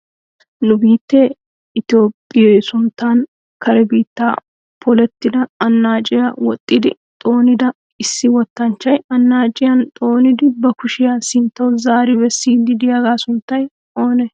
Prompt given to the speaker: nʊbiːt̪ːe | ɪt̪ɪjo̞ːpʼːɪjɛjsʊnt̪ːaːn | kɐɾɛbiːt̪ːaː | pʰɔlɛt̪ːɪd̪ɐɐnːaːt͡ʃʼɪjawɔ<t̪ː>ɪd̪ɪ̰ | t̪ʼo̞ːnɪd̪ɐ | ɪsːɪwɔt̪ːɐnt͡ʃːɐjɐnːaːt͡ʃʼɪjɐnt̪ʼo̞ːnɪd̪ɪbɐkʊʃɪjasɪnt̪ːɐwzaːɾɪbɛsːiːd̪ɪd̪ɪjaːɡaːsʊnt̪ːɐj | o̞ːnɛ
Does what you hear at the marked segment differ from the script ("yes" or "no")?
yes